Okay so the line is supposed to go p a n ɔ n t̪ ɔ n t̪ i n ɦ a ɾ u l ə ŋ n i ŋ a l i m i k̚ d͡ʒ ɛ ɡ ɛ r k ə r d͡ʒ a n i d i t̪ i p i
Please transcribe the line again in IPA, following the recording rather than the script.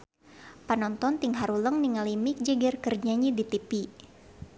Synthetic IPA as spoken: p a n ɔ n t̪ ɔ n t̪ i ŋ ɦ a ɾ u l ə ŋ n i ŋ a l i m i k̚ d͡ʒ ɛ ɡ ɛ r k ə r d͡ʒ a ɲ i d i t̪ i p i